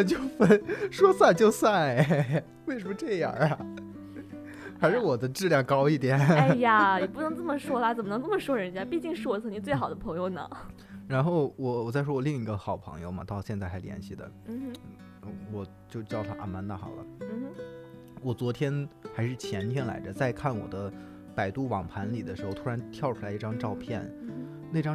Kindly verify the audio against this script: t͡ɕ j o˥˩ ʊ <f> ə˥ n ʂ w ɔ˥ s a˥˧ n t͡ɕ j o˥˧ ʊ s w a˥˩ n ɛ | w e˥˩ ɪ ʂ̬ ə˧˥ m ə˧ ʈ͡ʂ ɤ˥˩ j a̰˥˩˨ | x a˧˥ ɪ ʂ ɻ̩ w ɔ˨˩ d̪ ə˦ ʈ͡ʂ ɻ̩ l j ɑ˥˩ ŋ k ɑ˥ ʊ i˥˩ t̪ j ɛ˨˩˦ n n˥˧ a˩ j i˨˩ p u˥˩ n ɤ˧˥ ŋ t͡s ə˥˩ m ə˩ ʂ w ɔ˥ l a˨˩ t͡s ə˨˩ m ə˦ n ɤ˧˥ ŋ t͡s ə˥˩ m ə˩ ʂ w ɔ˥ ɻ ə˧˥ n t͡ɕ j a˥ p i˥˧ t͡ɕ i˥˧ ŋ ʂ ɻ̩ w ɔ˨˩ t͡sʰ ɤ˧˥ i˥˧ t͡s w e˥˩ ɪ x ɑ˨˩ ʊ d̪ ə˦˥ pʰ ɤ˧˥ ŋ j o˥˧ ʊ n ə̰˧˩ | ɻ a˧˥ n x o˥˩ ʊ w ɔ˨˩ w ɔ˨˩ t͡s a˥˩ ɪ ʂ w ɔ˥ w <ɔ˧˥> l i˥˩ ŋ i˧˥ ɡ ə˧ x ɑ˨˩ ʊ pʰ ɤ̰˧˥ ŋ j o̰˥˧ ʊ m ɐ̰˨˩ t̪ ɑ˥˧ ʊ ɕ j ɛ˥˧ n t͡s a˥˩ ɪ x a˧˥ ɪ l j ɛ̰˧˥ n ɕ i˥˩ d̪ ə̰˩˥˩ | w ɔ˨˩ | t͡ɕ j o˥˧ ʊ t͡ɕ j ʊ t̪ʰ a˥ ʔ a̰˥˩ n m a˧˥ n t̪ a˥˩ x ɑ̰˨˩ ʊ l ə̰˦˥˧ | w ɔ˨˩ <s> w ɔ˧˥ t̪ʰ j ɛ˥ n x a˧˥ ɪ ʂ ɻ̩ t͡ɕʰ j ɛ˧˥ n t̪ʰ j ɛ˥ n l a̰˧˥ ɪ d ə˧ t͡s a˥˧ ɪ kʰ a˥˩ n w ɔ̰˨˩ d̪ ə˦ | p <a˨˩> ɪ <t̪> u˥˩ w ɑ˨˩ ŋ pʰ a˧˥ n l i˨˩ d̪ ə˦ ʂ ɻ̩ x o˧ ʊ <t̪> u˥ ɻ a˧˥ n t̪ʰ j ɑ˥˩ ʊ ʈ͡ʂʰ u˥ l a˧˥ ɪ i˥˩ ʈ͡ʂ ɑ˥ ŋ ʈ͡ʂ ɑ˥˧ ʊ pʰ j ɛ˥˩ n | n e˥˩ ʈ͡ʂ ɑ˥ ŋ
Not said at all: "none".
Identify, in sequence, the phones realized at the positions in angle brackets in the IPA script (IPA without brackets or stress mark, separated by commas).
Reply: f, ɔ˨˩, t͡s, a˨˩, t̪, t̪ʰ